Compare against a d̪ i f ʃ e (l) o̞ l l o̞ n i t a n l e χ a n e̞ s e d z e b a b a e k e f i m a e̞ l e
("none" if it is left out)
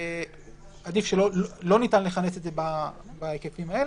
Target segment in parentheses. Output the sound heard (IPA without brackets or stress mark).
l